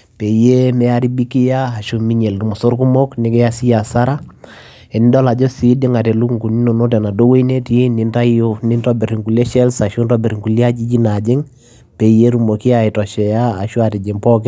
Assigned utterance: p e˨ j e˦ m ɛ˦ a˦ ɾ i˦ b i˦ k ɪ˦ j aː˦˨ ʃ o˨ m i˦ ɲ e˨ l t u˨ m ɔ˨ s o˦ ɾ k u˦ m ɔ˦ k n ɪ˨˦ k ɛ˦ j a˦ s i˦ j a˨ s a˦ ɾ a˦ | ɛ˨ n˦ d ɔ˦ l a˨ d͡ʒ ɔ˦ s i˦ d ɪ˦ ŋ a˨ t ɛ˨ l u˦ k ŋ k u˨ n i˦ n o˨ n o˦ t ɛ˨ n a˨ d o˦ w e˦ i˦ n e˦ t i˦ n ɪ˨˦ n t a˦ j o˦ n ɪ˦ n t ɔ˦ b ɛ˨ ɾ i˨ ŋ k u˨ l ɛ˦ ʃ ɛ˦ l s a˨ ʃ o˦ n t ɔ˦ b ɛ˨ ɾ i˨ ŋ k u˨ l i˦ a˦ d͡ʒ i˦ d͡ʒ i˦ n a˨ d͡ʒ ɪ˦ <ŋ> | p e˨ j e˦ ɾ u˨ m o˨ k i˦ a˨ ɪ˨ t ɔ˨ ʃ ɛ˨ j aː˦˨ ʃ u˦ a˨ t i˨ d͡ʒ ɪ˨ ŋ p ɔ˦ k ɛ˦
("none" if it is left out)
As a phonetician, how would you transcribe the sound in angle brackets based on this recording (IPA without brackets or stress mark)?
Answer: ŋ